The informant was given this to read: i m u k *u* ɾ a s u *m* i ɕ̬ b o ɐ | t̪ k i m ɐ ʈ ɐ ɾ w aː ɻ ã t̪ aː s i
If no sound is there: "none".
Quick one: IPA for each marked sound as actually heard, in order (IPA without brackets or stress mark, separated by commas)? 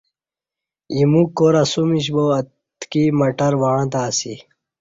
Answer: o, m